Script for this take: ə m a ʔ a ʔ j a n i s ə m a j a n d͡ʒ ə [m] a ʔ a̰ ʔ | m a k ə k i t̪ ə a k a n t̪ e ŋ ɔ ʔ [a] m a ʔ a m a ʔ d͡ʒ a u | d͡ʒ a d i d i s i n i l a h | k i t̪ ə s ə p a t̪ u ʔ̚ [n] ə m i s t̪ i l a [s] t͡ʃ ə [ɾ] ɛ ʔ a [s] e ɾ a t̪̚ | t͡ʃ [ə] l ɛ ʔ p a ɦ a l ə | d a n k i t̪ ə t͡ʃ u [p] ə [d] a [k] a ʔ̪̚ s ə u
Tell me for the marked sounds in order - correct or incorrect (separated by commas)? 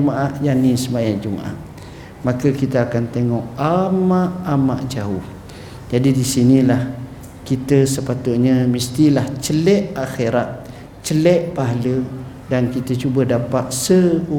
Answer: correct, correct, incorrect, incorrect, incorrect, incorrect, correct, incorrect, correct, incorrect